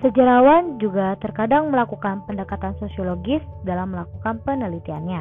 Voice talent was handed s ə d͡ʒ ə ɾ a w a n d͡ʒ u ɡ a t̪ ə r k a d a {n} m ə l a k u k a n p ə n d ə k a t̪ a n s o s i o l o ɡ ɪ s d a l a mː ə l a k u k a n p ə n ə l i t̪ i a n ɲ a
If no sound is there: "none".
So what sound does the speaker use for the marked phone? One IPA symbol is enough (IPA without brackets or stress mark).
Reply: ŋ